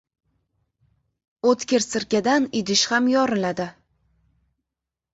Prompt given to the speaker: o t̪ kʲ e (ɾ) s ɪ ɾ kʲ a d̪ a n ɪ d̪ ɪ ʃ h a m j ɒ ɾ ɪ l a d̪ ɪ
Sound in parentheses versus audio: correct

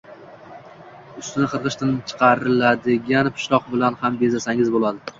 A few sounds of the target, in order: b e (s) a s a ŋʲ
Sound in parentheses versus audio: incorrect: z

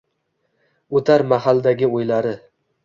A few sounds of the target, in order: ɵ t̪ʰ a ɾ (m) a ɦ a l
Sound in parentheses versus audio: correct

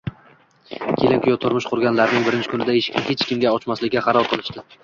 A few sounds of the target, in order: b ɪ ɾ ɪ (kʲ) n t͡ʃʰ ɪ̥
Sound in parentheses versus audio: incorrect: none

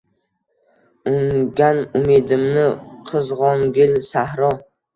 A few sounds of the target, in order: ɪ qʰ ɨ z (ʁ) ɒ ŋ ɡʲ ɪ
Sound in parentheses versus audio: correct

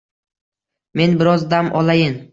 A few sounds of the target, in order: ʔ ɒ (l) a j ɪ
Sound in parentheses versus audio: correct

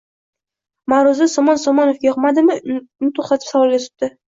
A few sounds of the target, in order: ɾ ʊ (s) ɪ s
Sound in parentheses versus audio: incorrect: z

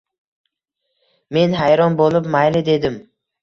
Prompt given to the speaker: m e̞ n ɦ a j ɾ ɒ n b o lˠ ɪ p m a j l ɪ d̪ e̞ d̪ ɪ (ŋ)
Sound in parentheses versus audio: incorrect: m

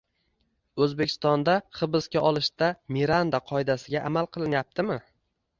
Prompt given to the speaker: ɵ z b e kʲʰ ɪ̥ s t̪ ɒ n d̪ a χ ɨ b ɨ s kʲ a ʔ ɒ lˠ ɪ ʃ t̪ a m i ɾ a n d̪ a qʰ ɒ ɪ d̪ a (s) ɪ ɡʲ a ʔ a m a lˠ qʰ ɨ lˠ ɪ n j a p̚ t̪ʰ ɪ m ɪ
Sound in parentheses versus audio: correct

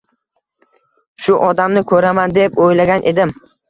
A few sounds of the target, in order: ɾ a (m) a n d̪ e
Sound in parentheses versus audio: correct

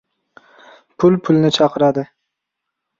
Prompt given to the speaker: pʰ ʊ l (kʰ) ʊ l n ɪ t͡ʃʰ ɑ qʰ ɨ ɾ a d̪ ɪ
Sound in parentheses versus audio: incorrect: pʰ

